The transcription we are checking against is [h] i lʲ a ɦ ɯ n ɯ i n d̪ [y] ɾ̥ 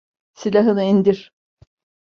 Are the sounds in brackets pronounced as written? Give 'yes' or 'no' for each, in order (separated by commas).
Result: no, no